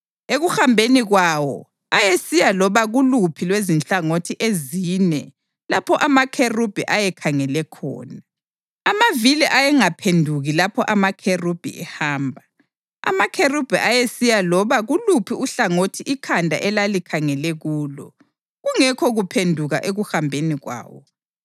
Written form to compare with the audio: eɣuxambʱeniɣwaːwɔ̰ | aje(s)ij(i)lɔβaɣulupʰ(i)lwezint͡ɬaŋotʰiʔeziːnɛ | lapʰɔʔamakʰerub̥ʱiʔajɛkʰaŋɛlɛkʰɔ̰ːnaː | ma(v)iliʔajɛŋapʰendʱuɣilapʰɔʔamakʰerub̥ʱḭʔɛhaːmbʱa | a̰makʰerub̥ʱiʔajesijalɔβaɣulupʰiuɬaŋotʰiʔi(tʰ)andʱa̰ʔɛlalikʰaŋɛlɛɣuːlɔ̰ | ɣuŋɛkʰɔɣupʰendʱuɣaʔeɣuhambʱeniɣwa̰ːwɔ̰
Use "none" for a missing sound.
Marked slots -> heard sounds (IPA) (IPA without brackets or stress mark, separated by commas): s, a, i, v, kʰ